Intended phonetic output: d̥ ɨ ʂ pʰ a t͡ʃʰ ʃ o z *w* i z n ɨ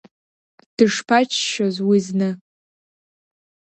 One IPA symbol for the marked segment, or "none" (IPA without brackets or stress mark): w